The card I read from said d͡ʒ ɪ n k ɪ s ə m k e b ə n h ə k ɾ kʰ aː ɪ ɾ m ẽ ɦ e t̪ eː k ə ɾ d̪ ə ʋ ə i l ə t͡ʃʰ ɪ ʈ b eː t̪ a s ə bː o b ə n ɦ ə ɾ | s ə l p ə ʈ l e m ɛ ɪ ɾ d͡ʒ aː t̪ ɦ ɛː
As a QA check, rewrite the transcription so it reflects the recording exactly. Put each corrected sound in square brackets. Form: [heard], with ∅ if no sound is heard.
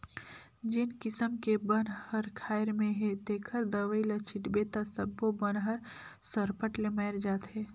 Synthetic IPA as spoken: d͡ʒ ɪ n k ɪ s ə m k e b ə n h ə [∅] ɾ kʰ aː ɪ ɾ m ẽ ɦ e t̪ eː [kʰ] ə ɾ d̪ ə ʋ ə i l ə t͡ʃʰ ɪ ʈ b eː t̪ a s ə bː o b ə n ɦ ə ɾ | s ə [ɾ] p ə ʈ l e m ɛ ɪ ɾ d͡ʒ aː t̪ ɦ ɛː